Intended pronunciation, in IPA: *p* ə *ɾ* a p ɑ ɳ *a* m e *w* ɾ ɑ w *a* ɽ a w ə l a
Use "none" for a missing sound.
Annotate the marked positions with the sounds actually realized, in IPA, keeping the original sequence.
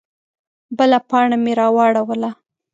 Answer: b, l, a, none, ɑ

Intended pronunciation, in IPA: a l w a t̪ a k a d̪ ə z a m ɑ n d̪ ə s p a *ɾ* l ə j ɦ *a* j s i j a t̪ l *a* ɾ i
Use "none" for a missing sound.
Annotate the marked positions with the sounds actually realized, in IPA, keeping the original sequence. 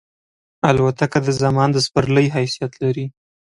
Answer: ɾ, a, a

